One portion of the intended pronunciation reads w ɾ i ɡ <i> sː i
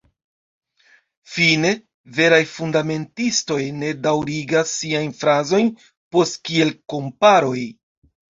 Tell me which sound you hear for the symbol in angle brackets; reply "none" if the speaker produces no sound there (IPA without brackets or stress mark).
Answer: a